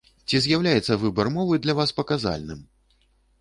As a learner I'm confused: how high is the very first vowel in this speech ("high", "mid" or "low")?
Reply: high